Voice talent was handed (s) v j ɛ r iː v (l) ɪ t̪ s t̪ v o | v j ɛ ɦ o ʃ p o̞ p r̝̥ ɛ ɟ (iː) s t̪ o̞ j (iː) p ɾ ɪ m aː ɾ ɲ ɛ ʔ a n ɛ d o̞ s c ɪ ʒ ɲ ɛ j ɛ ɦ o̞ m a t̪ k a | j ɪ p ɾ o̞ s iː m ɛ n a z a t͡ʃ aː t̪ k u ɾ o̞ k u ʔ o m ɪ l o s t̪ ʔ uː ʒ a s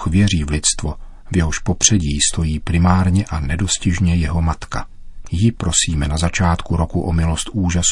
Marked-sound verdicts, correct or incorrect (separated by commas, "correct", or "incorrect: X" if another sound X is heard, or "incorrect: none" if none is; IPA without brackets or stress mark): incorrect: x, correct, correct, correct